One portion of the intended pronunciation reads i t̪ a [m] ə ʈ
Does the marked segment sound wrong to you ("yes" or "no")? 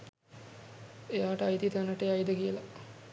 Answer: yes